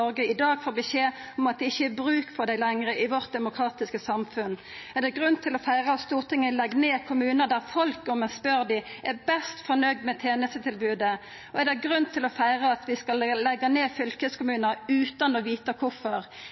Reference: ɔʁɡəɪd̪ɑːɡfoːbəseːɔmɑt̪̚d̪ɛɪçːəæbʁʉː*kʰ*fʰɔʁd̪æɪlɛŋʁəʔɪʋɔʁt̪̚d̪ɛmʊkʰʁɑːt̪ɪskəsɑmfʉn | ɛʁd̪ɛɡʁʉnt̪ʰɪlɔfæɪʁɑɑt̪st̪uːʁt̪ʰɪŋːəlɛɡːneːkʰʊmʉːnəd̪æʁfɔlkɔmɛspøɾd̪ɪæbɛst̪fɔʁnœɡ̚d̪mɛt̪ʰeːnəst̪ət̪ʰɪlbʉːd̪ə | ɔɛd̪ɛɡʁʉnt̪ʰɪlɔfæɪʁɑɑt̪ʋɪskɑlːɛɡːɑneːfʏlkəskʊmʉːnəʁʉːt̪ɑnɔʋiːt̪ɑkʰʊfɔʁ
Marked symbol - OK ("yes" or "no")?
no